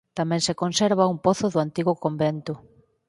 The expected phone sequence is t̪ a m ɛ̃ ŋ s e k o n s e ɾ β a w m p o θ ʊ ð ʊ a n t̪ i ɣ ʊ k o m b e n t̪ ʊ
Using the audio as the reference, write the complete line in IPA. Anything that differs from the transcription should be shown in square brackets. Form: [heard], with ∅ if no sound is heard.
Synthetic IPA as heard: t̪ a m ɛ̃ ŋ s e k o n s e ɾ β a [u] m p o θ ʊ ð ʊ a n t̪ i ɣ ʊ k o m b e n t̪ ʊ